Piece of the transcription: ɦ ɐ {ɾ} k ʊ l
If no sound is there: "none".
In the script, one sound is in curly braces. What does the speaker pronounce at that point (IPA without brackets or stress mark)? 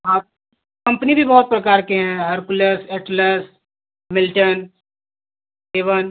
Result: ɾ